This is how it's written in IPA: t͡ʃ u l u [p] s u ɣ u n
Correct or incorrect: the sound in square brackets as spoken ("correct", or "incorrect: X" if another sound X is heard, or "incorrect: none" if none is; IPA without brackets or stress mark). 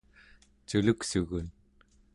incorrect: k